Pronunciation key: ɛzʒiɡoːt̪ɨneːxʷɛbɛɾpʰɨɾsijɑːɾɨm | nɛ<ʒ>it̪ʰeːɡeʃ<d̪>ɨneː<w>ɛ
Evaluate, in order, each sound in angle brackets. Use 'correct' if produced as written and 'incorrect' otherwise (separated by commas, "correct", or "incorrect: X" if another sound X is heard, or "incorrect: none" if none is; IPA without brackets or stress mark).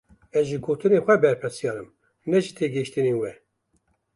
correct, incorrect: t̪, correct